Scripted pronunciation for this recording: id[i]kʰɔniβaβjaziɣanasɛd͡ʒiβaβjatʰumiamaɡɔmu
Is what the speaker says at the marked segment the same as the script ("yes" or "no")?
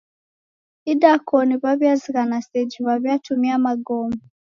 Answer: no